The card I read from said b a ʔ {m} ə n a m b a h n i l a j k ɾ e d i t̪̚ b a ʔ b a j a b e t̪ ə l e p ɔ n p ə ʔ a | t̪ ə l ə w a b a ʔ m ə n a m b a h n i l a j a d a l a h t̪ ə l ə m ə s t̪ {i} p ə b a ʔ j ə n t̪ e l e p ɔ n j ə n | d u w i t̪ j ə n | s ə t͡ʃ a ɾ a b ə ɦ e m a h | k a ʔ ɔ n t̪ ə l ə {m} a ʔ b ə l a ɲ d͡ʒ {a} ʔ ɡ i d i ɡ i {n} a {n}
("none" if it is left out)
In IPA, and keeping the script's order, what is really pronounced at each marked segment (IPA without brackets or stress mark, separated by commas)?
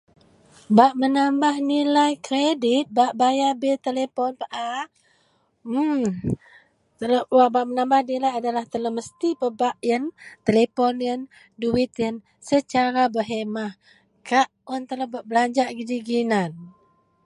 m, i, b, a, n, n